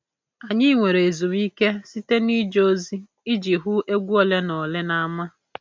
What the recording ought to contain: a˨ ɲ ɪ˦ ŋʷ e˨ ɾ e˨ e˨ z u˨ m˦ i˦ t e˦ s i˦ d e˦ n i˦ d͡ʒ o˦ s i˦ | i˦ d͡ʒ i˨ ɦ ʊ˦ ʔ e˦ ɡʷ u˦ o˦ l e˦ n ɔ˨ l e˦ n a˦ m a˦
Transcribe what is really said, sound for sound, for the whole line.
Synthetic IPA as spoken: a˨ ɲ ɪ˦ ŋʷ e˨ ɾ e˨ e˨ z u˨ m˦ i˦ k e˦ s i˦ t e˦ n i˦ d͡ʒ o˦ z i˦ | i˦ d͡ʒ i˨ ɦ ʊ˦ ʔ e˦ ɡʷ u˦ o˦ l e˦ n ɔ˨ l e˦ n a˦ m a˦